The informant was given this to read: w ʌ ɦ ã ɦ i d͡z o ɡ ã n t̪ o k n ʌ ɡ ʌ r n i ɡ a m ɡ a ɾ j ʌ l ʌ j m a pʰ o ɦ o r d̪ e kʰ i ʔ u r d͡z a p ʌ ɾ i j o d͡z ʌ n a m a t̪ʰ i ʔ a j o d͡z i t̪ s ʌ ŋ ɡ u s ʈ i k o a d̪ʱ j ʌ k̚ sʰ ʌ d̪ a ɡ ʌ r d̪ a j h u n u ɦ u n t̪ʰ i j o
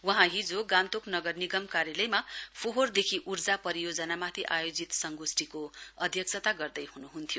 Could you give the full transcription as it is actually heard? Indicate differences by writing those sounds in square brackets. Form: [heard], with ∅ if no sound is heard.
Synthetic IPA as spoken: w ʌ ɦ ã ɦ i d͡z o ɡ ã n t̪ o k n ʌ ɡ ʌ r n i ɡ [ʌ] m [k] a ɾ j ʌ l ʌ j m a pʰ o ɦ o r d̪ e kʰ i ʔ u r d͡z a p ʌ ɾ i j o d͡z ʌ n a m a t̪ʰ i ʔ a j o d͡z i t̪ s ʌ ŋ ɡ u s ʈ i k o [ʌ] d̪ʱ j ʌ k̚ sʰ ʌ [t̪] a ɡ ʌ r d̪ [ʌ] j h u n u ɦ u n t̪ʰ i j o